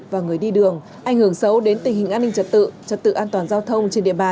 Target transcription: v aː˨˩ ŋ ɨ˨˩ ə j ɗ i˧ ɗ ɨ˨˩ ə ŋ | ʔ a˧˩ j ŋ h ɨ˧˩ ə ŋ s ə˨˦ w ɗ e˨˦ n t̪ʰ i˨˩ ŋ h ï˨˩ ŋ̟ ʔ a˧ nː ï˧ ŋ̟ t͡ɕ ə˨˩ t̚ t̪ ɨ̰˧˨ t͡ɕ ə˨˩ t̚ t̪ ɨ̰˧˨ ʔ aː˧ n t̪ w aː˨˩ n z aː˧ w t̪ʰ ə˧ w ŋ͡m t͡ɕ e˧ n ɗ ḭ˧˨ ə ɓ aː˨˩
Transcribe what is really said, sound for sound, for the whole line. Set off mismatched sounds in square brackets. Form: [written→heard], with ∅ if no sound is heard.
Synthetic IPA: v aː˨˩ ŋ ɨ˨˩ ə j ɗ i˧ ɗ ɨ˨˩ ə ŋ | ʔ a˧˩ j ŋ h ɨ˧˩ ə ŋ s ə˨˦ w ɗ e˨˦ n [t̪ʰ→t̪] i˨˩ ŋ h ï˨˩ ŋ̟ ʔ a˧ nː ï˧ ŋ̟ t͡ɕ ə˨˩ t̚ t̪ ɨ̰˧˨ t͡ɕ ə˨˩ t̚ t̪ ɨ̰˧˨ ʔ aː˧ n t̪ w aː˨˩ n z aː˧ w t̪ʰ ə˧ w ŋ͡m t͡ɕ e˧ n ɗ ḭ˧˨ ə ɓ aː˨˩